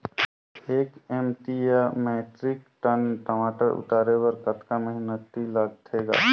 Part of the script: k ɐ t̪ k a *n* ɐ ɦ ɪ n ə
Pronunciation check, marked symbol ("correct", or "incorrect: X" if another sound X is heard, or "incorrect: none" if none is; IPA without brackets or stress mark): incorrect: m